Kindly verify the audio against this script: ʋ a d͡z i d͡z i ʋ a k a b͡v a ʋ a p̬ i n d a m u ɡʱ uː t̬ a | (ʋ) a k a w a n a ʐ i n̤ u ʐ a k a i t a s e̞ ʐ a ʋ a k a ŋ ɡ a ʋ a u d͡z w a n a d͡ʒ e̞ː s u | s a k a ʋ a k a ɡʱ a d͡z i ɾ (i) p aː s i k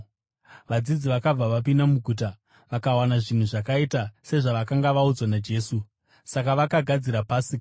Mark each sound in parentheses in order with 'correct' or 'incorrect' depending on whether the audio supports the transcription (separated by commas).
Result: correct, incorrect